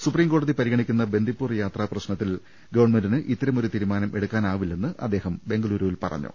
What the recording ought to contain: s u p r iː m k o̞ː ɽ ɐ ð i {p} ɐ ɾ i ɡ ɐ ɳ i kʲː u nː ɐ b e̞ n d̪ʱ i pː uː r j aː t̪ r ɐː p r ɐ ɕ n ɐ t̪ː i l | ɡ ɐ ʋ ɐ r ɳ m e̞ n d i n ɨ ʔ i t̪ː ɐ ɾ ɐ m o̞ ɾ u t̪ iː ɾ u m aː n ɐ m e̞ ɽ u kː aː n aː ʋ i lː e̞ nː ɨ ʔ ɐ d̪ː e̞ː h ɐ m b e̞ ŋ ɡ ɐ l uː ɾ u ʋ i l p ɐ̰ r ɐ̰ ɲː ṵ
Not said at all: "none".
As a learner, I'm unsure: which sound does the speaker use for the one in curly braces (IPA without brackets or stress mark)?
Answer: p